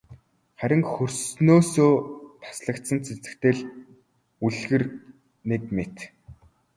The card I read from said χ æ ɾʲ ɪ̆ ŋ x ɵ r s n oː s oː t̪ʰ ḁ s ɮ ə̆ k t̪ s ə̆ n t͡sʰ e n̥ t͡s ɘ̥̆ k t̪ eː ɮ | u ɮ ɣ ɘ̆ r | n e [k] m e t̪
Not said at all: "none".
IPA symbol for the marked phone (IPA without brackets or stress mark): k